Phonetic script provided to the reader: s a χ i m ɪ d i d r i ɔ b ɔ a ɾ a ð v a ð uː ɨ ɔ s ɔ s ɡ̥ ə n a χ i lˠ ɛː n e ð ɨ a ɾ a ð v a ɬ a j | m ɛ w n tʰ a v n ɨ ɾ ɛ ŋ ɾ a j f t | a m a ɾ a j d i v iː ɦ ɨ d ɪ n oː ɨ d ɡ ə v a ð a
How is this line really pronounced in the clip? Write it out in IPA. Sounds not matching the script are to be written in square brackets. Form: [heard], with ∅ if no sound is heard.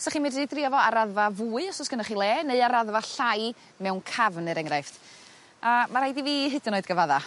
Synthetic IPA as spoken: s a χ i m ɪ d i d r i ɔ [v] ɔ a ɾ a ð v a [v] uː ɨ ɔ s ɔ s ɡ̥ ə n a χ i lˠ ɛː n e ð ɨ a ɾ a ð v a ɬ a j | m ɛ w n [kʰ] a v n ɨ ɾ ɛ ŋ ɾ a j f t | a m a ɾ a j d i v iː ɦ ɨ d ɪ n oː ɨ d ɡ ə v a ð a